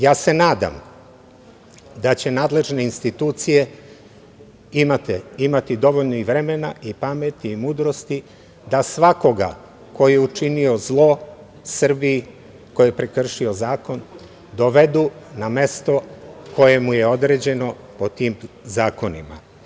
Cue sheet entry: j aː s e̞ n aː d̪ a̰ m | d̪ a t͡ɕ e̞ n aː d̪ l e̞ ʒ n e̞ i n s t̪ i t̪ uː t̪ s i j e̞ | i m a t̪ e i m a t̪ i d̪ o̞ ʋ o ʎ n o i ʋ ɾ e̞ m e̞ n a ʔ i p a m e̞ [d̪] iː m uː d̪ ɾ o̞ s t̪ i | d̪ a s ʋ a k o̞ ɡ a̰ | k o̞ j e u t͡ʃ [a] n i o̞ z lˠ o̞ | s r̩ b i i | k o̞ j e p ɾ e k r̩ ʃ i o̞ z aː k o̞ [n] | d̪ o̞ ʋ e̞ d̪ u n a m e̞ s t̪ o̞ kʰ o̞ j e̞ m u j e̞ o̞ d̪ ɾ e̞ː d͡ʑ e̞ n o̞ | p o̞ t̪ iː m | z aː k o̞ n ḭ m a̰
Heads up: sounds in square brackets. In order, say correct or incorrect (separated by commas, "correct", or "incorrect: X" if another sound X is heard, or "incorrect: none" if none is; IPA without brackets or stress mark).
incorrect: t̪, incorrect: i, correct